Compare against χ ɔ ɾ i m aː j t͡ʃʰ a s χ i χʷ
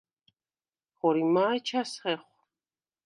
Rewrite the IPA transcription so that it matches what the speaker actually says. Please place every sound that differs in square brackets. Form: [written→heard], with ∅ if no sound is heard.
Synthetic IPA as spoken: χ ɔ ɾ i m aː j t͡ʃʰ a s χ [i→ɛ] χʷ

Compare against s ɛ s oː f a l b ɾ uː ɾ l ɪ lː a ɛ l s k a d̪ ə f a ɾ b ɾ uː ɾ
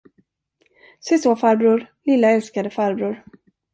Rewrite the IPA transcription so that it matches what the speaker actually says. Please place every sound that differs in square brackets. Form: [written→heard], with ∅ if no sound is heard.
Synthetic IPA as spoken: s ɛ s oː f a [l→ɾ] b ɾ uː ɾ l ɪ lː a ɛ l s k a d̪ ə f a ɾ b ɾ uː ɾ

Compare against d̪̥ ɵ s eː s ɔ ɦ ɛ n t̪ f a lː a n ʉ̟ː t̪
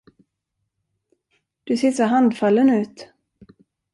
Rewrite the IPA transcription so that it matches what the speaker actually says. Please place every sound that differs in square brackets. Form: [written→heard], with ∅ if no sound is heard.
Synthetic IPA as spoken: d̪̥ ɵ s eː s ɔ ɦ [ɛ→a] n [t̪→d̪] f a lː [a→ə] n ʉ̟ː t̪

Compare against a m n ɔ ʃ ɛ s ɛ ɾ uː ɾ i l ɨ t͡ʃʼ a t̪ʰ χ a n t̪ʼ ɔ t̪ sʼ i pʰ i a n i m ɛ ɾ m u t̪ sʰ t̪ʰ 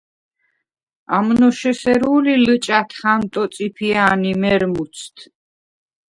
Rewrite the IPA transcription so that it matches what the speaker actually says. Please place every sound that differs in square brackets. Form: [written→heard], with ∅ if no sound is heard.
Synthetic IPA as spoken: a m n ɔ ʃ ɛ s ɛ ɾ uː [ɾ→l] i l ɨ t͡ʃʼ a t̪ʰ χ a n t̪ʼ ɔ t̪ sʼ i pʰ i a n i m ɛ ɾ m u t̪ sʰ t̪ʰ

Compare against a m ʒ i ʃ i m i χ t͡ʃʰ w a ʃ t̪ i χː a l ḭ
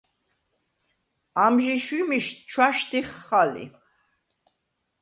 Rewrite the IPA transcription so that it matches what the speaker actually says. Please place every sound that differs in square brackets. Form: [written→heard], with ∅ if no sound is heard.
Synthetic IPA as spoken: a m ʒ i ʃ i m i [χ→ʃ] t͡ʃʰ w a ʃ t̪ i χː a l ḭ

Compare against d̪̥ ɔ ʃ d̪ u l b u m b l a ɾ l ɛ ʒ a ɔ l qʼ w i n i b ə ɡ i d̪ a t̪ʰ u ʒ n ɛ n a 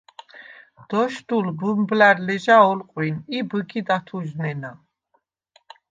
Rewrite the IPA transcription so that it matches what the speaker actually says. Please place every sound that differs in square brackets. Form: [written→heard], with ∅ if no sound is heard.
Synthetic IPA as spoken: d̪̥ ɔ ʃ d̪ u l b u m b l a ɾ l ɛ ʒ a ɔ l qʼ w i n i b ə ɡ i d̪ a t̪ʰ u ʒ n ɛ n a

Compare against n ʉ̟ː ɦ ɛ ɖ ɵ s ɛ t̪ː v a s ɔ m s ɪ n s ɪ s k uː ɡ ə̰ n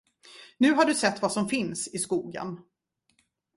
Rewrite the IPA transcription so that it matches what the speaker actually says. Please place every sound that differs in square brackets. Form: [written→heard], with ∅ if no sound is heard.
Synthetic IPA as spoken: n ʉ̟ː ɦ [ɛ→a] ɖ ɵ s ɛ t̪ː v a s ɔ m [s→f] ɪ n s ɪ s k uː ɡ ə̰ n

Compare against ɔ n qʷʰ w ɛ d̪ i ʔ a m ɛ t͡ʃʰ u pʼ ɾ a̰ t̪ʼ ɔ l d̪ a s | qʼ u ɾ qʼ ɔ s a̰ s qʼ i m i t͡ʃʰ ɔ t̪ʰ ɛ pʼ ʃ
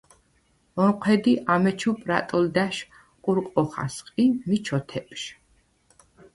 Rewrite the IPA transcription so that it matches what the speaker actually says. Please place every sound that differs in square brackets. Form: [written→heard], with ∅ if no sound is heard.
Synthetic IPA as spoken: ɔ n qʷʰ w ɛ d̪ i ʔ a m ɛ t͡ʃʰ u pʼ ɾ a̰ t̪ʼ ɔ l d̪ a [s→ʃ] | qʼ u ɾ qʼ ɔ [s→χ] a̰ s qʼ i m i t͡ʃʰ ɔ t̪ʰ ɛ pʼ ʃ

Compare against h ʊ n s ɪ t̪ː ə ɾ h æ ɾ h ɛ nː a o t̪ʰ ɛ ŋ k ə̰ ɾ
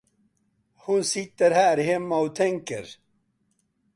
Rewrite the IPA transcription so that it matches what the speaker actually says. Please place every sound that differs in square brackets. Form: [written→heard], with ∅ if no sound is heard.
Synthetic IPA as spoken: h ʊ n s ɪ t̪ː ə ɾ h [æ→æː] ɾ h ɛ [nː→mː] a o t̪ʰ ɛ ŋ k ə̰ ɾ

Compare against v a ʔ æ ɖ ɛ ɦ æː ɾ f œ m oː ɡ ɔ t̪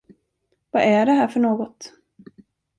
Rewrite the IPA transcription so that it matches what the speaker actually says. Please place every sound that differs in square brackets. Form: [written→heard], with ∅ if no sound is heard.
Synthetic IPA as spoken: v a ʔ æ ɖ ɛ ɦ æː ɾ f œ [m→ɳ] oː ɡ ɔ t̪

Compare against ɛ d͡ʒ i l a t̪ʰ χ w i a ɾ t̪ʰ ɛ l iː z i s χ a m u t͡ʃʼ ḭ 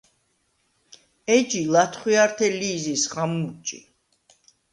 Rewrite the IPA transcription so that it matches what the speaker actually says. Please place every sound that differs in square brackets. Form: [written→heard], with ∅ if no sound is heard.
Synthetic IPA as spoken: ɛ d͡ʒ i l a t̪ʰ χ w i a ɾ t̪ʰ ɛ l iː z i s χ a m u t͡ʃʼ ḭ

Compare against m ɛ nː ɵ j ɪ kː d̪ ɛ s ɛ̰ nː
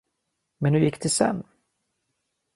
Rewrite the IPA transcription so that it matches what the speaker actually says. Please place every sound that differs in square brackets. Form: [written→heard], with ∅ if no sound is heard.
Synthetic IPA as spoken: m ɛ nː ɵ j ɪ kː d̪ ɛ s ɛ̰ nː

